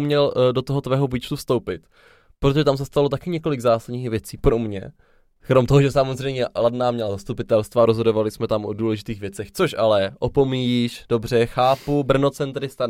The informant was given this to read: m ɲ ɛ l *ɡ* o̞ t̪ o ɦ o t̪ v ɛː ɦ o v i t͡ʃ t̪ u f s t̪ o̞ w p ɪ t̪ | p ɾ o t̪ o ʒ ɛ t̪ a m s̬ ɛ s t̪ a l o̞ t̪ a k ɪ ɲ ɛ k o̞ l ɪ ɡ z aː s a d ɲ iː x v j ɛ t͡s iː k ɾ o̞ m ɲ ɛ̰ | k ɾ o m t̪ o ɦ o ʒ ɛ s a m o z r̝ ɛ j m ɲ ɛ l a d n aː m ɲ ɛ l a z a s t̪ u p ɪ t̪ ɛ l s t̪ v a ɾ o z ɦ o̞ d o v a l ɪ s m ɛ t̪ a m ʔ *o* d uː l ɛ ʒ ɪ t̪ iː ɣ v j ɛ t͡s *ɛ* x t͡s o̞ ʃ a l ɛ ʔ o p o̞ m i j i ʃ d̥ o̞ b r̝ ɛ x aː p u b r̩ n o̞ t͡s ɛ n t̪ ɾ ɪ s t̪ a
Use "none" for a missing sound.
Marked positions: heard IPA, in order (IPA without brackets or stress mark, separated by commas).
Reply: d, o, ɛ